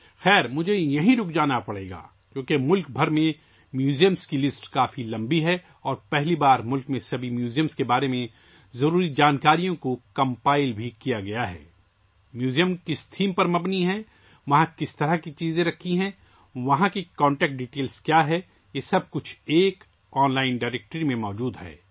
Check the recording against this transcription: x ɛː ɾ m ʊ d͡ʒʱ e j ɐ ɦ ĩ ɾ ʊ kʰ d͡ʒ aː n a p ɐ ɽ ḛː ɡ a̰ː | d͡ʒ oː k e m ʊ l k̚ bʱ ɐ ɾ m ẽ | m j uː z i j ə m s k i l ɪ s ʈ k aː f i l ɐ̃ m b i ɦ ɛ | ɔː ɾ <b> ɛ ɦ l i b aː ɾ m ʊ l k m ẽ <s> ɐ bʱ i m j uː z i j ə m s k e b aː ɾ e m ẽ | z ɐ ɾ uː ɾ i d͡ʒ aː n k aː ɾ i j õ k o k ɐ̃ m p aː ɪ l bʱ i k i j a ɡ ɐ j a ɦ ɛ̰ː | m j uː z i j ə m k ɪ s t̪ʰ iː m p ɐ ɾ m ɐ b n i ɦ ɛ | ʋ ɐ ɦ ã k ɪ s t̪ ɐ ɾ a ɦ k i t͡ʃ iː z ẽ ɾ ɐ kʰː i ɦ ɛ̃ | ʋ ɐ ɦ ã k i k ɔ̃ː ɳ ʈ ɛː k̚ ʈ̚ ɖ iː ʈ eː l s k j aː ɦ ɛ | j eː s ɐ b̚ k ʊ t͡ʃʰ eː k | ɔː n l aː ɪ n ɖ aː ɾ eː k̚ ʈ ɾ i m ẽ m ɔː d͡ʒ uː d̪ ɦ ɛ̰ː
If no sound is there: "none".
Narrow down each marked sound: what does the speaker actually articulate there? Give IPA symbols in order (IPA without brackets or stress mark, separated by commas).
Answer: p, s